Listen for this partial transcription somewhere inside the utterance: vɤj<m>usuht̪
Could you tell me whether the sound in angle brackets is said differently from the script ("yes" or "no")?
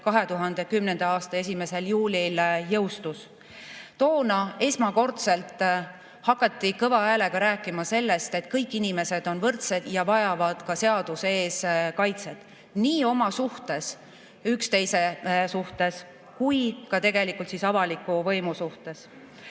no